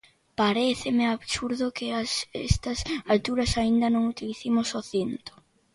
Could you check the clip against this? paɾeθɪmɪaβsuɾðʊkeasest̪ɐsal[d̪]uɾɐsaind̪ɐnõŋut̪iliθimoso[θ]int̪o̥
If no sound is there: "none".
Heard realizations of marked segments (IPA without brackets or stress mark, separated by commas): t̪, θ